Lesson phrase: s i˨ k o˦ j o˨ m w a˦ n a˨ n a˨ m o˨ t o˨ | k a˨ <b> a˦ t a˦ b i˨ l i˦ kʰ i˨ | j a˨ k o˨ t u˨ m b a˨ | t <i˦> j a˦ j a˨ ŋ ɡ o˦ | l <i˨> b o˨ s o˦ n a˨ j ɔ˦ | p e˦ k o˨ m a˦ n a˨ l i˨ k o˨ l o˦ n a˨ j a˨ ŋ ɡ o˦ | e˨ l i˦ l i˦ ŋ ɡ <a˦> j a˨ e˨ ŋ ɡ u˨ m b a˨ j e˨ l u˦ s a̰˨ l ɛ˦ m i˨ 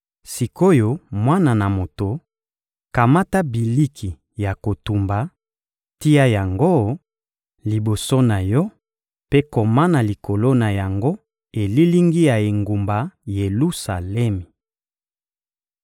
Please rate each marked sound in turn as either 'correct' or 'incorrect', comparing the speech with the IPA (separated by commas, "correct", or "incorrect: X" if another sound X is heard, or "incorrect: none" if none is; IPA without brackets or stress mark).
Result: incorrect: m, correct, correct, incorrect: i˦